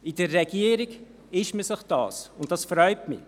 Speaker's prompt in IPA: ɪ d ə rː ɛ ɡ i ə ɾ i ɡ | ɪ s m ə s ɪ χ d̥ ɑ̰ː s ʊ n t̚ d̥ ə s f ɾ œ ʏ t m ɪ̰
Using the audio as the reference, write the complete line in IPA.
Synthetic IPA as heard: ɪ d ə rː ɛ ɡ i ə ɾ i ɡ | ɪ ʃ m ə s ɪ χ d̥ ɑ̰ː s ʊ n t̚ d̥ ɑ s f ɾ œ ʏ t m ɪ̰